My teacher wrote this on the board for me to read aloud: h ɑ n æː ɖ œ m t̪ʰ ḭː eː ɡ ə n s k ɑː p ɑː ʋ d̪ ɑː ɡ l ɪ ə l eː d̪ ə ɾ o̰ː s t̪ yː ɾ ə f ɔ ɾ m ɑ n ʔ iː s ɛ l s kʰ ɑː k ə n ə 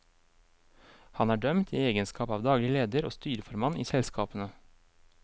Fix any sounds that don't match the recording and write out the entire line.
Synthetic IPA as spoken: h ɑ n æː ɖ œ m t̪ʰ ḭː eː ɡ ə n s k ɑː p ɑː ʋ d̪ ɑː ɡ l ɪ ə l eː d̪ ə ɾ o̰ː s t̪ yː ɾ ə f ɔ ɾ m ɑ n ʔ iː s ɛ l s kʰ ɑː p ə n ə